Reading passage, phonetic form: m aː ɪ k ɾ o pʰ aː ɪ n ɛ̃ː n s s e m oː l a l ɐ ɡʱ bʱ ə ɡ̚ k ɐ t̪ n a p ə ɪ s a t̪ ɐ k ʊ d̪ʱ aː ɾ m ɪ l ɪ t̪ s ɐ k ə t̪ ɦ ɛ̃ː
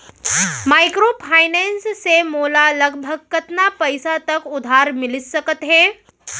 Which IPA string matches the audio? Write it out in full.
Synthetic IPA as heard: m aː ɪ k ɾ o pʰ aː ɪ n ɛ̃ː n s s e m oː l a l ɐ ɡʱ bʱ ə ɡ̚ k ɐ t̪ n a p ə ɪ s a t̪ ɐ k ʊ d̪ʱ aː ɾ m ɪ l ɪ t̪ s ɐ k ə t̪ ɦ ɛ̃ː